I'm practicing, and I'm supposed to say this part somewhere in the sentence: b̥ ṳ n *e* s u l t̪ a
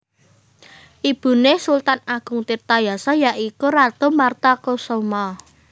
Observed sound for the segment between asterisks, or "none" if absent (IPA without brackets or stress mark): e